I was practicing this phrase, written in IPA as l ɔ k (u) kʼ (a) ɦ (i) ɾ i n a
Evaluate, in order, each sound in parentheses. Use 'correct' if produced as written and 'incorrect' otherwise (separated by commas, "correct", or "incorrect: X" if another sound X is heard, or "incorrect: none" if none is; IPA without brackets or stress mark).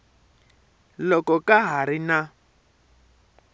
incorrect: ɔ, correct, incorrect: a